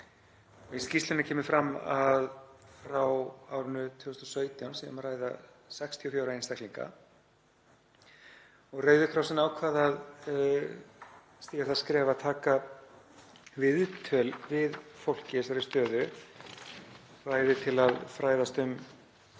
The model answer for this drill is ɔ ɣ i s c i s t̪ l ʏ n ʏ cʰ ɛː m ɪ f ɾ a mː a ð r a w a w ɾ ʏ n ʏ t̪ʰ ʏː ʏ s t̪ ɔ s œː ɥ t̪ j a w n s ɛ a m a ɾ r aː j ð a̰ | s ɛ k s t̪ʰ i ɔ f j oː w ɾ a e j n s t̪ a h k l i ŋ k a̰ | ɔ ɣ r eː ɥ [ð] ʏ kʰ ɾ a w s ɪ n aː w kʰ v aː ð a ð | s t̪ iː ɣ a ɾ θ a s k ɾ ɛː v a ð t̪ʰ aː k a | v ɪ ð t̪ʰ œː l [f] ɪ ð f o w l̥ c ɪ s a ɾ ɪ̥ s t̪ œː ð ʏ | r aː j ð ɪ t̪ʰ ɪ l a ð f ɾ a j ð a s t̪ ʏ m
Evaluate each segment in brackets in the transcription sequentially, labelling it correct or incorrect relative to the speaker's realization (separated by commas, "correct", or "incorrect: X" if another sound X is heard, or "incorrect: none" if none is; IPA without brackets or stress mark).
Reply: correct, incorrect: v